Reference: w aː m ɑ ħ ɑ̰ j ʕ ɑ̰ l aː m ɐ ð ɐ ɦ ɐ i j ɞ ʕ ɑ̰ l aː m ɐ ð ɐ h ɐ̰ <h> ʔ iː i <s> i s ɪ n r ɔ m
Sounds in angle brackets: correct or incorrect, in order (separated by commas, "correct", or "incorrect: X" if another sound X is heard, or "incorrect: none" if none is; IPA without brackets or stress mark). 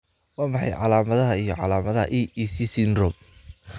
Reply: incorrect: none, correct